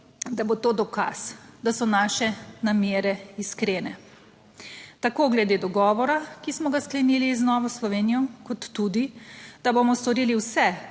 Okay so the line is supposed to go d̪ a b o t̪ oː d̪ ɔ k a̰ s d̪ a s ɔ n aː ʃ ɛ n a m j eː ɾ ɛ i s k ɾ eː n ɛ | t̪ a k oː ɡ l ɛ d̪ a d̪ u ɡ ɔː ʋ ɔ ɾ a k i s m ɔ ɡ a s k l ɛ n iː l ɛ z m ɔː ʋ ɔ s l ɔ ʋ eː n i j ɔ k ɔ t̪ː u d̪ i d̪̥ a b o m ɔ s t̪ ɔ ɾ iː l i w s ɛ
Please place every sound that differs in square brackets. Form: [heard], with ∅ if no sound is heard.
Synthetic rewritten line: d̪ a b o t̪ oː d̪ ɔ k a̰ s d̪ a s ɔ n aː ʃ ɛ n a m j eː ɾ ɛ i s k ɾ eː n ɛ | t̪ a k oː ɡ l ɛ d̪ [e] d̪ [ɔ] ɡ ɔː ʋ ɔ ɾ a k i s m ɔ ɡ a s k l ɛ n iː l [i] z [n] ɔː ʋ ɔ s l ɔ ʋ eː n i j ɔ k ɔ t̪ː u d̪ i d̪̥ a b o m ɔ s t̪ ɔ ɾ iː l i w s ɛ